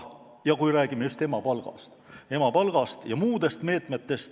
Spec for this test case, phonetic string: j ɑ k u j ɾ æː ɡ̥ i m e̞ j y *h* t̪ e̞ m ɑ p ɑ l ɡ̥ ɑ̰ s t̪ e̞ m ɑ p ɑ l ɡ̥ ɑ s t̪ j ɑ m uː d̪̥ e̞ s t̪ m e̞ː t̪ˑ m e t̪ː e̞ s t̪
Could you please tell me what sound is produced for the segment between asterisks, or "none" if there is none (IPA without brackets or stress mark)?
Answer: s